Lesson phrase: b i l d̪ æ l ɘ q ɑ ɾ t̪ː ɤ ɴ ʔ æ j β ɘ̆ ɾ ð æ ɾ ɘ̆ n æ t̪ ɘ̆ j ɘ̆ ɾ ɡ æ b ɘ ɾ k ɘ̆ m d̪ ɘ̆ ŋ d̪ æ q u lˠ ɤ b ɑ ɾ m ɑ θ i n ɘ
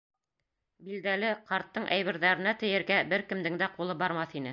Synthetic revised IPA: b i l d̪ æ l ɘ q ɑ ɾ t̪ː ɤ ɴ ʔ æ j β ɘ̆ ɾ ð æ ɾ ɘ̆ n æ t̪ ɘ̆ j ɘ̆ ɾ ɡ æ b ɘ ɾ k ɘ̆ m d̪ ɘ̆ ŋ d̪ æ q u lˠ ɤ b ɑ ɾ m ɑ θ i n ɘ